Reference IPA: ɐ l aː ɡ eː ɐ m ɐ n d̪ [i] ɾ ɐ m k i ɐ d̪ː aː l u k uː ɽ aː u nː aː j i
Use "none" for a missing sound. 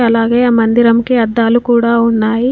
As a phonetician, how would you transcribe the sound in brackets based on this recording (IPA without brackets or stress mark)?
i